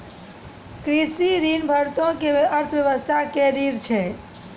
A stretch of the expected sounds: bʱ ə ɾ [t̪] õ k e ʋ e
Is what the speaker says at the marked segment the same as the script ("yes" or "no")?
yes